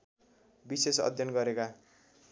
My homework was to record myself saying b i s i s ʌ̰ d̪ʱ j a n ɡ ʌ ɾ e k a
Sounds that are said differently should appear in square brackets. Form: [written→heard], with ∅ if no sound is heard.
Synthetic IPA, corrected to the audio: b i s [i→e] s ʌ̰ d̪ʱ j [a→ʌ] n ɡ ʌ ɾ e k a